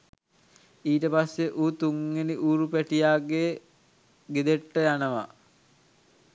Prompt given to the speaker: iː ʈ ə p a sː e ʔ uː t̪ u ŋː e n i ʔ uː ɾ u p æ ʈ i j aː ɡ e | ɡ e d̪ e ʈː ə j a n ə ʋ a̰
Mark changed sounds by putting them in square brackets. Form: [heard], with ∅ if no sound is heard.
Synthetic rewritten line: iː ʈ ə p a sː e ʔ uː t̪ u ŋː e n i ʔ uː ɾ u p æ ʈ i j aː ɡ e | ɡ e d̪ e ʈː ə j a n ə ʋ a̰